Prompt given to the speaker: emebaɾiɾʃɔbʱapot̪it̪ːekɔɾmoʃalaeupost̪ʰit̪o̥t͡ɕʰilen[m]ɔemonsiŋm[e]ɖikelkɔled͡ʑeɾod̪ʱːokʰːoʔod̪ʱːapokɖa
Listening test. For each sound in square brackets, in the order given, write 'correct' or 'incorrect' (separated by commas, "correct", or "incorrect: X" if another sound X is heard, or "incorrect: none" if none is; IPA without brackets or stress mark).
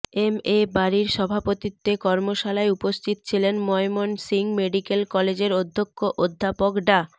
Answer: correct, correct